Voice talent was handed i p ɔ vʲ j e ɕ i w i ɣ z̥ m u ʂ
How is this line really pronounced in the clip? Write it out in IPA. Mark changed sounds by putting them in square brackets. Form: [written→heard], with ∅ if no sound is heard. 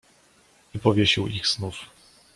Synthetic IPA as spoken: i p ɔ vʲ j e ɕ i w i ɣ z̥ [m→n] u [ʂ→f]